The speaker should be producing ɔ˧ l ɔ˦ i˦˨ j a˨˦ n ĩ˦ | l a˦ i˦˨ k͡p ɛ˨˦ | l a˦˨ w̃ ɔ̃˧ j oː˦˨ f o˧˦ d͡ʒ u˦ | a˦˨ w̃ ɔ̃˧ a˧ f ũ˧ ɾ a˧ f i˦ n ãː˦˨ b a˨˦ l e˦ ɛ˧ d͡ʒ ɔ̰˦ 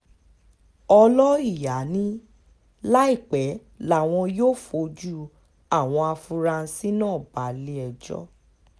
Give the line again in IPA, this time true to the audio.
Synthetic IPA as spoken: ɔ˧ l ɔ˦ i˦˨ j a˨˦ n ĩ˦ | l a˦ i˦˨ k͡p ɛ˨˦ | l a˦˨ w̃ ɔ̃˧ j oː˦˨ f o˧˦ d͡ʒ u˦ | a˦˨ w̃ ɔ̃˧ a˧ f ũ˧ ɾ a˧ s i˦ n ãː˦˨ b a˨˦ l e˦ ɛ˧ d͡ʒ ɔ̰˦